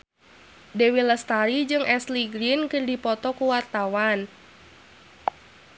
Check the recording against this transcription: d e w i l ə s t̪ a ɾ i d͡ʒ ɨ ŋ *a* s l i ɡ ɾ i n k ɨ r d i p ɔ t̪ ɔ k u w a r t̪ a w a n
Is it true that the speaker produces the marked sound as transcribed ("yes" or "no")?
no